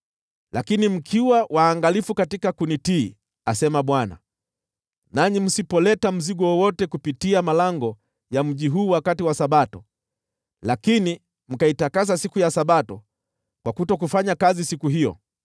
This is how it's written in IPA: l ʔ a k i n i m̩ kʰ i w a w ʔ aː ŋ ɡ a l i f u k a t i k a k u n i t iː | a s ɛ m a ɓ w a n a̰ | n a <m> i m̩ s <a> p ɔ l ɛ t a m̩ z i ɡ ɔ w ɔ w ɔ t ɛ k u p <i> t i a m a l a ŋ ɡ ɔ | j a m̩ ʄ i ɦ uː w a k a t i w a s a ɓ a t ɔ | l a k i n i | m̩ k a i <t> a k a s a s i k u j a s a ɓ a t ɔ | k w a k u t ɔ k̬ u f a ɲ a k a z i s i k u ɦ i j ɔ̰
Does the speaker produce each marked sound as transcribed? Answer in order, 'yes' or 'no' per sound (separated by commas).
no, no, yes, yes